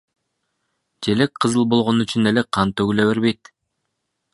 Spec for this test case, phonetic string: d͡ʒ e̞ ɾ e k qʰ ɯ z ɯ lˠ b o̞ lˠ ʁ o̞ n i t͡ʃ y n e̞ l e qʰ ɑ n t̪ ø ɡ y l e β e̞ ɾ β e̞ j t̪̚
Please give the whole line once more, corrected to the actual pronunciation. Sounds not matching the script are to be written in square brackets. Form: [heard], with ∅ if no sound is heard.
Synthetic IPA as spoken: d͡ʒ e̞ [l] e k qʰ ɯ z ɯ lˠ b o̞ lˠ ʁ o̞ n [y] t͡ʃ y n e̞ l e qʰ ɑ n t̪ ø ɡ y l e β e̞ ɾ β e̞ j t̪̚